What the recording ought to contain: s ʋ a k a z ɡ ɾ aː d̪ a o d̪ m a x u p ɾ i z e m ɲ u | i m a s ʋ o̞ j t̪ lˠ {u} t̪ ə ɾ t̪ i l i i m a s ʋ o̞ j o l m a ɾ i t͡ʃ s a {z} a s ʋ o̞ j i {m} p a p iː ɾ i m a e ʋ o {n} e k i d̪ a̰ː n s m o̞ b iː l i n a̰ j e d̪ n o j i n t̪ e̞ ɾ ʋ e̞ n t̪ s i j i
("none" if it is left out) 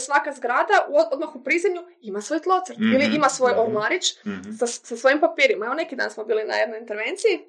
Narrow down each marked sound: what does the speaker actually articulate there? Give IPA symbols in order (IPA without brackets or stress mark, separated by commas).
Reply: o, s, m, n